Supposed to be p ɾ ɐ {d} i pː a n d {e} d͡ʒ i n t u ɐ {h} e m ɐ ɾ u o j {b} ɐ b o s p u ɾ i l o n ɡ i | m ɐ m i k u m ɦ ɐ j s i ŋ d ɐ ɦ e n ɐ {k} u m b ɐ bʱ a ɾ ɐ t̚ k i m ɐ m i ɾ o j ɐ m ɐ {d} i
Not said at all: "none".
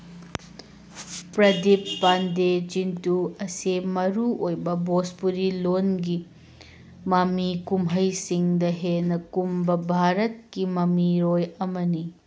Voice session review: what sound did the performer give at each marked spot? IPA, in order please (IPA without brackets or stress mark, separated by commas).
d, e, s, b, k, n